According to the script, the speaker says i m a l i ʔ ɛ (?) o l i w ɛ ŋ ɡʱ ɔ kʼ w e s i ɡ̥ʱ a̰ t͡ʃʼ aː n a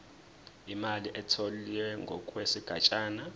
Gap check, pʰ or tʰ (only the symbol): tʰ